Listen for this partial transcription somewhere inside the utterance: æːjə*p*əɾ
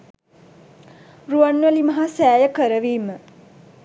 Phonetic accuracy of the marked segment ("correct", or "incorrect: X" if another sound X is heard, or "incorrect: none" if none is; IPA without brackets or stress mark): incorrect: k